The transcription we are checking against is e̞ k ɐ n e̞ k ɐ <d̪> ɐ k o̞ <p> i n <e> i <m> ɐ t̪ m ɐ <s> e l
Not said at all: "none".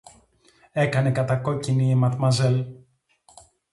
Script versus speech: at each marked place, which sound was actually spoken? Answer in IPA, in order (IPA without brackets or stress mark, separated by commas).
t̪, c, i, m, z